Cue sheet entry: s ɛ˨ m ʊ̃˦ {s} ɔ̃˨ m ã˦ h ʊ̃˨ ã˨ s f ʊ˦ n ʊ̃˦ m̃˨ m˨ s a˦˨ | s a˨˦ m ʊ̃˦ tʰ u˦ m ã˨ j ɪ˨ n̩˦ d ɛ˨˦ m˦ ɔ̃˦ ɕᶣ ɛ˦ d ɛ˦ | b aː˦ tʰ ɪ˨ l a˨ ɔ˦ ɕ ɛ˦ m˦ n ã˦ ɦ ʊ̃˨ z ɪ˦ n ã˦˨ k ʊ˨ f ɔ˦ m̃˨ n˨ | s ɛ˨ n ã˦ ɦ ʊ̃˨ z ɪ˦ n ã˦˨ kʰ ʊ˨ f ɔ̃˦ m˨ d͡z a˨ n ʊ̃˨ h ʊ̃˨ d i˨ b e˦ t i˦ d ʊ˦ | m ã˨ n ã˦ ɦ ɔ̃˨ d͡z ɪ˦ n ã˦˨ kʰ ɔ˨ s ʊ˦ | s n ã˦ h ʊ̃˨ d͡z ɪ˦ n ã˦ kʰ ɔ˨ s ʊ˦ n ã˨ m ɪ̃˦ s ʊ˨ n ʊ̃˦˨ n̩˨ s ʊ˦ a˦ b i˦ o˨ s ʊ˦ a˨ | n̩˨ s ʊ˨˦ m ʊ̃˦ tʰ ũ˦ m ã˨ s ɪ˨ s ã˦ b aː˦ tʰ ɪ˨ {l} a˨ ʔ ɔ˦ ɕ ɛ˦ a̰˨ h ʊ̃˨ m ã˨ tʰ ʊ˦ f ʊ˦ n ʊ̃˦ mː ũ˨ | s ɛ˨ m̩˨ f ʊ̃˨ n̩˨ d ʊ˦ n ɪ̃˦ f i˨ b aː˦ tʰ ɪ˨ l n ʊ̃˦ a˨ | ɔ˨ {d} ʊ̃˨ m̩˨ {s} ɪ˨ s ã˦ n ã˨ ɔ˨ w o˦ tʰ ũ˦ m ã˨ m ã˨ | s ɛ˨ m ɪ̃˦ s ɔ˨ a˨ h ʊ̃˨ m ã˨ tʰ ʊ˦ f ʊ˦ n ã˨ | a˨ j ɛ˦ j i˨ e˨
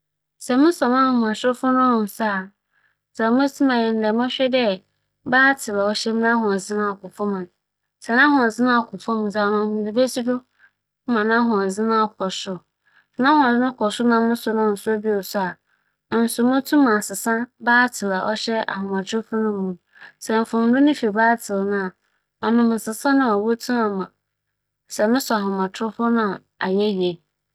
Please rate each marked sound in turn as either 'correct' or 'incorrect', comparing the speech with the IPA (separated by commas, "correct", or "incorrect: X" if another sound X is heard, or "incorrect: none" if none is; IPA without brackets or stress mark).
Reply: correct, correct, incorrect: n, correct